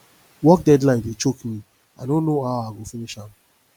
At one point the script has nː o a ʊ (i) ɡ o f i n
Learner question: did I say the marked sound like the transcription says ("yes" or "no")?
no